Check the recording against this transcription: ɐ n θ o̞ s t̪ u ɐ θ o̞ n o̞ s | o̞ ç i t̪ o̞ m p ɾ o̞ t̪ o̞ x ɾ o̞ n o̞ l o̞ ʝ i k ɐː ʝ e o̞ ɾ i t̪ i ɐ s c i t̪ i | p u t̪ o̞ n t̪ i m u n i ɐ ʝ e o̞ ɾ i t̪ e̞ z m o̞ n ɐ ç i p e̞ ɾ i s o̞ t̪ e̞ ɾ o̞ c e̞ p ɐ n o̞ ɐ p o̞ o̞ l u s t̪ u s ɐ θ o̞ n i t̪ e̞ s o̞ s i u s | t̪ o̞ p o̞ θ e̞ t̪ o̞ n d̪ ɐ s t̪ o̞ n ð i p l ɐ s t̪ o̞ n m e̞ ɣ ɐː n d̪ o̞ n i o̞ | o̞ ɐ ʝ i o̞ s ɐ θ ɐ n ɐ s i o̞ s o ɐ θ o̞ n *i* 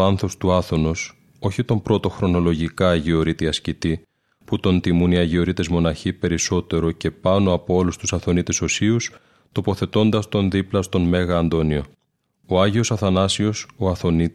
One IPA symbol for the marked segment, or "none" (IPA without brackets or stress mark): i